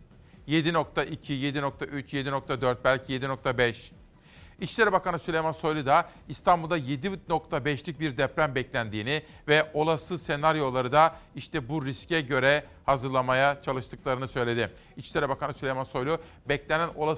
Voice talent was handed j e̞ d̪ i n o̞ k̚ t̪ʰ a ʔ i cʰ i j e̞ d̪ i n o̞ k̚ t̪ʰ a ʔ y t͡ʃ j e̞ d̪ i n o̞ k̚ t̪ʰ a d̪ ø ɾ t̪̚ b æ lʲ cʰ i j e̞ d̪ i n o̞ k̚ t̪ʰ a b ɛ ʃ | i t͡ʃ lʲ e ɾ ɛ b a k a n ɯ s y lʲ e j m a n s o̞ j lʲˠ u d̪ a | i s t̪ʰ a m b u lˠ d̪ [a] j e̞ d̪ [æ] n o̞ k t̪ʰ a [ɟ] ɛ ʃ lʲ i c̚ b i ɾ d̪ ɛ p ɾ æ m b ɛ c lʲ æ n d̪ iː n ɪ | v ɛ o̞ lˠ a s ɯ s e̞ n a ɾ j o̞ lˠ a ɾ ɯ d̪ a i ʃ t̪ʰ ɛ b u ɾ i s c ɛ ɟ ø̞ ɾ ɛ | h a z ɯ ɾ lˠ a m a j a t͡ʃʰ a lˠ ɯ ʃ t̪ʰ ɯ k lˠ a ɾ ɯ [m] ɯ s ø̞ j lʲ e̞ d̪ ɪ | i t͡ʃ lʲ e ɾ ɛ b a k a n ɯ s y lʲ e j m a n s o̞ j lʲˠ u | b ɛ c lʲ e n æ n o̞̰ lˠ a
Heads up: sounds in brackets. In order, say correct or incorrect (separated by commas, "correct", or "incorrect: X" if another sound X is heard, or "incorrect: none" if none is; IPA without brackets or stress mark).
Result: correct, incorrect: i, incorrect: b, incorrect: n